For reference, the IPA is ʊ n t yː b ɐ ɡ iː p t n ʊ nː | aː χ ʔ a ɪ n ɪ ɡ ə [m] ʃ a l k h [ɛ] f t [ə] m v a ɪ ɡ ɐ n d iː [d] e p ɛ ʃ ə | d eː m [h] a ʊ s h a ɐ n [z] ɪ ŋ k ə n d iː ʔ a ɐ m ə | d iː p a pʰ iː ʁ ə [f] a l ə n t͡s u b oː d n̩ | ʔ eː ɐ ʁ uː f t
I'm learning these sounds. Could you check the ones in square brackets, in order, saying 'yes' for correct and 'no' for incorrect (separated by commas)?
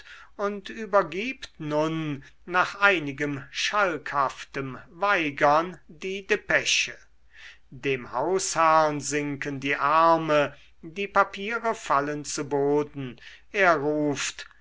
yes, no, yes, yes, yes, yes, yes